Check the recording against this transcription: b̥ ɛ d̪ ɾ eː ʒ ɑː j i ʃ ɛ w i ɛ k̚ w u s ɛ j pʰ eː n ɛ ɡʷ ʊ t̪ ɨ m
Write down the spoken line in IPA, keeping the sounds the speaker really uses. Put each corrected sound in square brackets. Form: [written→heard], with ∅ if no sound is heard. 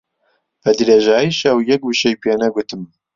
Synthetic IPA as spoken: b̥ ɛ d̪ ɾ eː ʒ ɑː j i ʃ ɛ w [i→j] ɛ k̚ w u [s→ʃ] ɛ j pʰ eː n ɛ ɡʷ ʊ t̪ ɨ m